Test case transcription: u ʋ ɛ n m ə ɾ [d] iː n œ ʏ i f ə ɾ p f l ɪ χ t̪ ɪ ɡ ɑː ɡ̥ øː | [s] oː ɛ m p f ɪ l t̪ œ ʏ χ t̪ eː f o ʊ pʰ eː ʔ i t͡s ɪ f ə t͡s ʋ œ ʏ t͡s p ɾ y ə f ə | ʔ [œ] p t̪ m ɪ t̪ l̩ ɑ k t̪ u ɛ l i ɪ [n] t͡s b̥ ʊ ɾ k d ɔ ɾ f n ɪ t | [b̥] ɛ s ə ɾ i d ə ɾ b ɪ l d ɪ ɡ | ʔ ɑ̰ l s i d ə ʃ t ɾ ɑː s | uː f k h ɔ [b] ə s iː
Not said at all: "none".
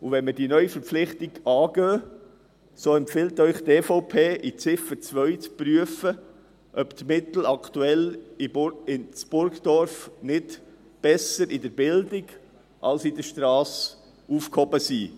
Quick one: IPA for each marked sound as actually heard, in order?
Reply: d, s, œ, n, b̥, b

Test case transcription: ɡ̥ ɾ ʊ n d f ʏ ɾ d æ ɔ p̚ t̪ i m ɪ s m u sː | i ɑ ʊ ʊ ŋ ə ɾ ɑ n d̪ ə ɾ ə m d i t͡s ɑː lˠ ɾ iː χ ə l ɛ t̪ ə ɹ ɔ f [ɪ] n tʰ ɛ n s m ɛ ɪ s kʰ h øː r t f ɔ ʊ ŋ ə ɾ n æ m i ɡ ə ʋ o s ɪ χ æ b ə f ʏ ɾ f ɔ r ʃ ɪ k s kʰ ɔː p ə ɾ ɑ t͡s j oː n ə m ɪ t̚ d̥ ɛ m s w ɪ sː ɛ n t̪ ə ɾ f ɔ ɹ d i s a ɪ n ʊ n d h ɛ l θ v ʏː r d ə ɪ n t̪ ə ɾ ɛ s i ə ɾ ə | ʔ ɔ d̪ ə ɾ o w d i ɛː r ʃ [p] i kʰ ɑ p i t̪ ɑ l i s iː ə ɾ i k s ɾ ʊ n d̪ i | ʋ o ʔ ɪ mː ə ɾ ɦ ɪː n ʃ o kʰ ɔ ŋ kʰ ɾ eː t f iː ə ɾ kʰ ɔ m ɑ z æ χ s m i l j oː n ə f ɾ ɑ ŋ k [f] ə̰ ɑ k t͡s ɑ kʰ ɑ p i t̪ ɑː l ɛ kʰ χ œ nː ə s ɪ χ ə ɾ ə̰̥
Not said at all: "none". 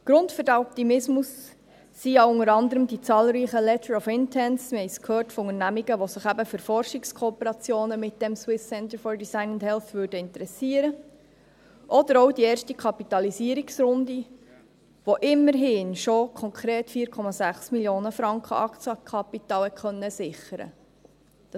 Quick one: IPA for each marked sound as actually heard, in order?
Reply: ɪ, t, χ

